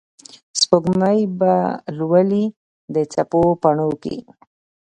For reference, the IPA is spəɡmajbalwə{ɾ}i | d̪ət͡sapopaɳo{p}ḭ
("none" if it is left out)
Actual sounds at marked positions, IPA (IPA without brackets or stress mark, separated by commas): l, k